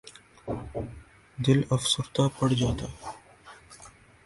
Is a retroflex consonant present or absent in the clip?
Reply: present